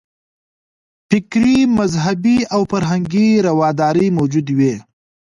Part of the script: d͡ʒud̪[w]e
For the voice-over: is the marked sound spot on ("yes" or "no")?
yes